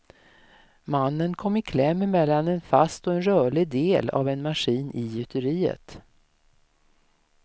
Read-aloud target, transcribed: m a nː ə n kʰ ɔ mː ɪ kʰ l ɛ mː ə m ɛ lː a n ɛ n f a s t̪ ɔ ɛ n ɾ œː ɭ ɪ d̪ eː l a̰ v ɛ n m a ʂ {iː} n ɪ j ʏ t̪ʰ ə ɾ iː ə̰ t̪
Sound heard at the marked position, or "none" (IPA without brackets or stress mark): iː